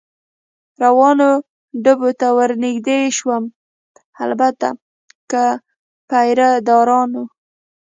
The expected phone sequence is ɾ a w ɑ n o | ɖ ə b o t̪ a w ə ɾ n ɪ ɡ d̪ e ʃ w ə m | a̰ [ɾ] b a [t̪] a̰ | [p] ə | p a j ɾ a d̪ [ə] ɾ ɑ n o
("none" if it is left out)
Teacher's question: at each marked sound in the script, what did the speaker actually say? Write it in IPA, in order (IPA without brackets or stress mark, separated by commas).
l, t̪, k, ɑ